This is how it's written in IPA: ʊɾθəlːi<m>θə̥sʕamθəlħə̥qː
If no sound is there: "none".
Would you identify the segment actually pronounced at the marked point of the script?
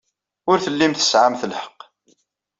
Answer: m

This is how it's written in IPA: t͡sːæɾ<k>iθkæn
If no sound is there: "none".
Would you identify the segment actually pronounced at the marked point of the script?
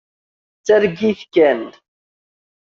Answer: ɡ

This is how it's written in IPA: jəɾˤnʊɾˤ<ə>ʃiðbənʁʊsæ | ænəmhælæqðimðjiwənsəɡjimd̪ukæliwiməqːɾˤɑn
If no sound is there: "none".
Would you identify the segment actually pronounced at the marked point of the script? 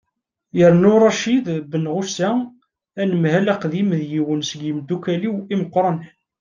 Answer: ɑ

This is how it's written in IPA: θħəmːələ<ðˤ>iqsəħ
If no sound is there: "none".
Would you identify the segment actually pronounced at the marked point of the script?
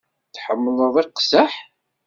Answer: ðˤ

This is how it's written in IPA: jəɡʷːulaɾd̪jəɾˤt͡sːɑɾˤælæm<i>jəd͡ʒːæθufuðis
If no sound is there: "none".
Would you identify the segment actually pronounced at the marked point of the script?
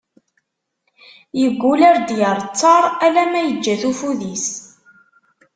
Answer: æ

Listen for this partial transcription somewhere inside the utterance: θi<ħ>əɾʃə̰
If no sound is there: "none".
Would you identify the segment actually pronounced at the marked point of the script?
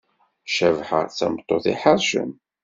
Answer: ħ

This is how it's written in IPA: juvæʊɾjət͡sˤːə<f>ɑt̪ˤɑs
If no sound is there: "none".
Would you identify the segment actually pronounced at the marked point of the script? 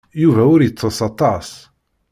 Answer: s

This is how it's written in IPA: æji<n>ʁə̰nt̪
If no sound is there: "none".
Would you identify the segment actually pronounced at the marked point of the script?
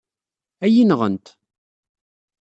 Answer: n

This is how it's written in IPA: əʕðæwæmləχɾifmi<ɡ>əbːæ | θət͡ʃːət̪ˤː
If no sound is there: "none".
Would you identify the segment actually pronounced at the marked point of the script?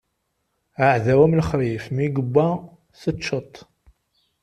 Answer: ɡ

